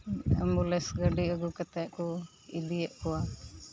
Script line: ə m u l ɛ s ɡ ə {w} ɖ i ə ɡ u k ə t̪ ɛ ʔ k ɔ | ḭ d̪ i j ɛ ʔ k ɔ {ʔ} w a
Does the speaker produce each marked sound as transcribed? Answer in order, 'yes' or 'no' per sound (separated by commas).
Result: no, no